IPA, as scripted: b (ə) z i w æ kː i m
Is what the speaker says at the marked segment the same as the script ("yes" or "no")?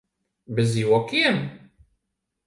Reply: yes